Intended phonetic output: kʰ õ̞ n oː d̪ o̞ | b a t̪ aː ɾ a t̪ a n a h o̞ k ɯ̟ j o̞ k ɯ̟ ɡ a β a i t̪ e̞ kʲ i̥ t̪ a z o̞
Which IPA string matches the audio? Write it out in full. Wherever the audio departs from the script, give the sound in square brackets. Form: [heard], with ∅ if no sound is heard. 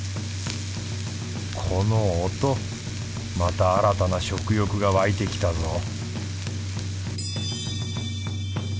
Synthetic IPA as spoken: kʰ [o̞] n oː [t̪] o̞ | [m] a t̪ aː ɾ a t̪ a n a [ɕ] o̞ k ɯ̟ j o̞ k ɯ̟ ɡ a β a i t̪ e̞ kʲ i̥ t̪ a z o̞